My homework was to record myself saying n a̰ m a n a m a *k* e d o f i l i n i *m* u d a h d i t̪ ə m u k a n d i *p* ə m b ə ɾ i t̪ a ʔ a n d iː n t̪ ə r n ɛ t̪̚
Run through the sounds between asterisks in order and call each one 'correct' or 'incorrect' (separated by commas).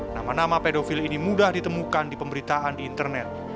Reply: incorrect, correct, correct